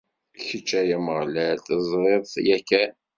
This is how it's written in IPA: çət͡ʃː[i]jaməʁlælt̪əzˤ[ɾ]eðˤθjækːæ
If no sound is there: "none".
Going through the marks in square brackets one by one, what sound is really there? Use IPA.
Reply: æ, ɾ

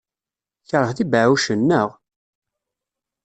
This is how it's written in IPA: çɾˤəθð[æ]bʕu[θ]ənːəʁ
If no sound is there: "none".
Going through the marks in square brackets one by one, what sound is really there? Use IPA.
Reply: i, ʃ

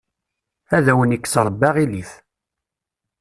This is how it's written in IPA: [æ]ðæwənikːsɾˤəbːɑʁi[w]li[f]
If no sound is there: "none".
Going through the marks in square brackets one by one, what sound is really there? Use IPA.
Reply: æ, none, θ

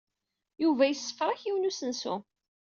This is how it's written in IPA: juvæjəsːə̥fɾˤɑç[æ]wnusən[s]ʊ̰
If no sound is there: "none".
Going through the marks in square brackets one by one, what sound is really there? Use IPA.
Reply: i, s

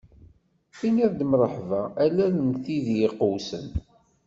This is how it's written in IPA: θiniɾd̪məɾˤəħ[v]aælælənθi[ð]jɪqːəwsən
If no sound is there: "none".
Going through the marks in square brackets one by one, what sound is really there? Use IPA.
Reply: v, ð

